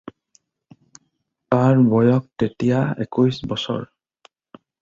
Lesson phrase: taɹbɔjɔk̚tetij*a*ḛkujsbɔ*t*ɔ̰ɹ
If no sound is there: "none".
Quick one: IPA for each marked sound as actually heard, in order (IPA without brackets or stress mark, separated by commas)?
a, s